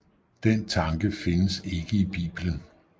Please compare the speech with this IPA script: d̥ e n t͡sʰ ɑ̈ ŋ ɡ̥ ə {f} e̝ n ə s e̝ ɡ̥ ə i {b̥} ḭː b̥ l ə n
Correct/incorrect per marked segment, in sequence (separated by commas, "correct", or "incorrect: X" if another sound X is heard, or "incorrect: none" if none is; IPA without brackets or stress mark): correct, correct